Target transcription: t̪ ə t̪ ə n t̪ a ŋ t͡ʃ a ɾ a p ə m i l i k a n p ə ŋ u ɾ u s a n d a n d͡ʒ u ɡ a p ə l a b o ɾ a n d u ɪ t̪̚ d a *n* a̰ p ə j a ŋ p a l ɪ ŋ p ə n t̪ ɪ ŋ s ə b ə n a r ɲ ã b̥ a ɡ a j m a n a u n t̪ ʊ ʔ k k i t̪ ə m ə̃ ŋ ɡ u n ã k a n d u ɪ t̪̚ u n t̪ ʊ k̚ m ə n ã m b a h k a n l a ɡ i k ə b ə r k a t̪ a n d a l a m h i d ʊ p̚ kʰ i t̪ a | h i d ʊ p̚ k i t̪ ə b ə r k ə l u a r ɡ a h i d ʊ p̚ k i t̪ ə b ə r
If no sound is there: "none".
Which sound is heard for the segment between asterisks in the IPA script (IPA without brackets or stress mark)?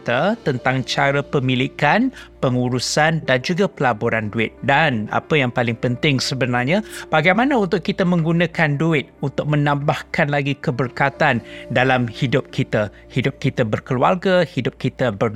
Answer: n